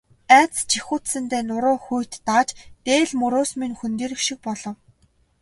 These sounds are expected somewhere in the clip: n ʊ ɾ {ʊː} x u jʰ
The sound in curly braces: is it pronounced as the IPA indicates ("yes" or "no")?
yes